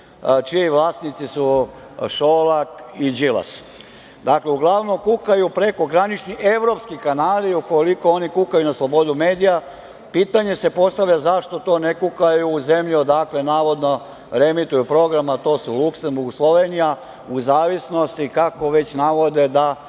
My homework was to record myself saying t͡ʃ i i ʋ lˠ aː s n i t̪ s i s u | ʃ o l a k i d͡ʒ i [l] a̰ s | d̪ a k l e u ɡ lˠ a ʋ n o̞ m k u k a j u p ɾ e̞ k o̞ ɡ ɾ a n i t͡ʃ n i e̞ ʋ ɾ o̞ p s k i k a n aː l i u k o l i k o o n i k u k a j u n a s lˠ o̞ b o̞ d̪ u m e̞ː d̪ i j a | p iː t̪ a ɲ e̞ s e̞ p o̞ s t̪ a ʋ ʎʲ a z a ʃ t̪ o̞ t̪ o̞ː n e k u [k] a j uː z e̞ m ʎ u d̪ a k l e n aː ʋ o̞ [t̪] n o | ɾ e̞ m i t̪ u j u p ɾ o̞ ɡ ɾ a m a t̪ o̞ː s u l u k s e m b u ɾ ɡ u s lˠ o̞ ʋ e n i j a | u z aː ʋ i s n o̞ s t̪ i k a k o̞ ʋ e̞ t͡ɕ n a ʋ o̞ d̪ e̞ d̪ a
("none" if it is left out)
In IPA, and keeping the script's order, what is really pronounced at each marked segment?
l, k, d̪

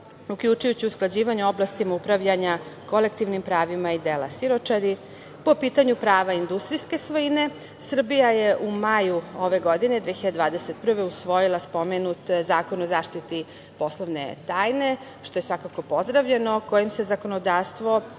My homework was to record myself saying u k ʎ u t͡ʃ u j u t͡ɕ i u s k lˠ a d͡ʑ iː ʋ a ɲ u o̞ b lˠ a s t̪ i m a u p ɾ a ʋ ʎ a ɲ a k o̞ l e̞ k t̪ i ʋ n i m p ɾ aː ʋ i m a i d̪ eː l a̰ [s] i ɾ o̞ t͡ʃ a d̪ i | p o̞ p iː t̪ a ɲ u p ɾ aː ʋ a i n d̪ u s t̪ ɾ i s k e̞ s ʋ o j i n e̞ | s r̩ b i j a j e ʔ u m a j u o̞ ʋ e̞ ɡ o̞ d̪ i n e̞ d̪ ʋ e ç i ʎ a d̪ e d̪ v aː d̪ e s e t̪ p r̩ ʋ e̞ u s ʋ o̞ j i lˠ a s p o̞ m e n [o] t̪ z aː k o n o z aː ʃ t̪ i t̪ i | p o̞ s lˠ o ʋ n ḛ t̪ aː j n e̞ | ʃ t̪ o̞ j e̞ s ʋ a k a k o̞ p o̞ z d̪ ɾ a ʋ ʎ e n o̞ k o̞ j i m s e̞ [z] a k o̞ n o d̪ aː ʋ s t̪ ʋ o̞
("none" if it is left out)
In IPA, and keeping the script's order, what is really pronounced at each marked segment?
s, u, z

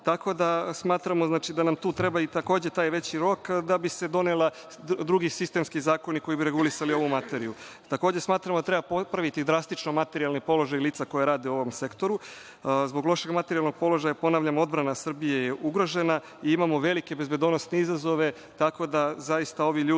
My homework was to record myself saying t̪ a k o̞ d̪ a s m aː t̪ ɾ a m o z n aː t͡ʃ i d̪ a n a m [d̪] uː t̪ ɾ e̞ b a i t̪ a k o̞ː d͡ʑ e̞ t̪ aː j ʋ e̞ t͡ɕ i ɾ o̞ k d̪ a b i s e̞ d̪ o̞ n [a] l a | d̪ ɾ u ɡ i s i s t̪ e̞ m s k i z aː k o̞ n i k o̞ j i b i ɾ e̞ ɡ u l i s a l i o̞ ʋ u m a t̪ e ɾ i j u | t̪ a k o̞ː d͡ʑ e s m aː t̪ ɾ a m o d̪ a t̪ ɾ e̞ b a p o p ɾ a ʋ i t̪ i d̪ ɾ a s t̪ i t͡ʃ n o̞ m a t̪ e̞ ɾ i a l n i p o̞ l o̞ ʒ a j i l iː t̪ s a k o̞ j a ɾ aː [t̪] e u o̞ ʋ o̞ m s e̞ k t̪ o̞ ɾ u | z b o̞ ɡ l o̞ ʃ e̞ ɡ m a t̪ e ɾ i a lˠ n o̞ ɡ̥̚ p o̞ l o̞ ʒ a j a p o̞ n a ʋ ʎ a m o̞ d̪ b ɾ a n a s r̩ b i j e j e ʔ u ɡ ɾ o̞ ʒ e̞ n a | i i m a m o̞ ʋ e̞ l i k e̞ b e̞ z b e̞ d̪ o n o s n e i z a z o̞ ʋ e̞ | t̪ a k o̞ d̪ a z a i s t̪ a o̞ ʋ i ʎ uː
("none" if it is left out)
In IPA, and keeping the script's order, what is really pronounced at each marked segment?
t̪, e, d̪

